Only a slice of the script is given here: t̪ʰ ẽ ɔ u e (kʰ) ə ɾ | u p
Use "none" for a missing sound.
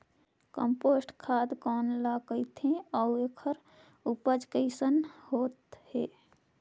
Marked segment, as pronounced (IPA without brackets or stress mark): kʰ